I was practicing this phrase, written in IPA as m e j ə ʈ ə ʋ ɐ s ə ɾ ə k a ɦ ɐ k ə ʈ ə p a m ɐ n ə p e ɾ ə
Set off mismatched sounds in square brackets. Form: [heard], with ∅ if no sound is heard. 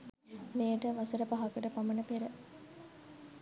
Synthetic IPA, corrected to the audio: m e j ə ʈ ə ʋ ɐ s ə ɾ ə [p] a ɦ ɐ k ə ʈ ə p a m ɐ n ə p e ɾ ə